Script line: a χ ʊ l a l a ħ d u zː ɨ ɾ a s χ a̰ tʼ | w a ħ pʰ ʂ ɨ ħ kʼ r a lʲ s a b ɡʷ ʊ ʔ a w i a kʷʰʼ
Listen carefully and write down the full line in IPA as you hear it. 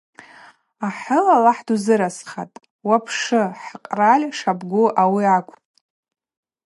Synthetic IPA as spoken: a ħ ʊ l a l a ħ d u z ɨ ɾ a s χ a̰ tʼ | w a pʰ ʂ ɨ ħ qʼ r a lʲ ʂ a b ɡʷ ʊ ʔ a w i a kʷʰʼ